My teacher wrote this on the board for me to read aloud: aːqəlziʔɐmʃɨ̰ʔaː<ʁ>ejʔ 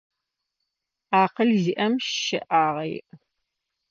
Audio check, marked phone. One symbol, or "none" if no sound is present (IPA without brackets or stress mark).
ʁ